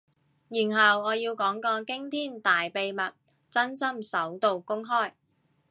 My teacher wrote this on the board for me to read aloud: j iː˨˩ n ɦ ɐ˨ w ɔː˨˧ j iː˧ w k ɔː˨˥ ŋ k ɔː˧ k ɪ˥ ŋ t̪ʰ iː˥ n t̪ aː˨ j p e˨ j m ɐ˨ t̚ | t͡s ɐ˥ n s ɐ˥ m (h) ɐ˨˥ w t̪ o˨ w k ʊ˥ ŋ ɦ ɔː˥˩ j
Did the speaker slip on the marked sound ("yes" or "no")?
yes